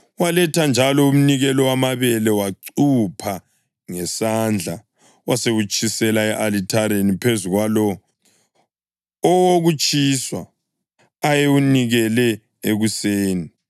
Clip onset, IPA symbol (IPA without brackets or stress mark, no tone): w